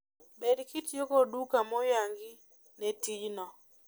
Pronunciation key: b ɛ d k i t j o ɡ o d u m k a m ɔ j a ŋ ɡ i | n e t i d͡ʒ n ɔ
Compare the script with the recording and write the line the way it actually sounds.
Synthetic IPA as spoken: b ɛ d k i t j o k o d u k a m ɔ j a ŋ ɡ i | n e t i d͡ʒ n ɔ